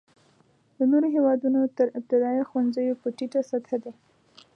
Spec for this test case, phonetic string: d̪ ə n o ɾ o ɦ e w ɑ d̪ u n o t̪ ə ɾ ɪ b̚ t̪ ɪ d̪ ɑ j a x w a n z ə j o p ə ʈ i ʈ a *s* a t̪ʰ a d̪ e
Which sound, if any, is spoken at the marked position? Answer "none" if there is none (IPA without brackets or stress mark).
s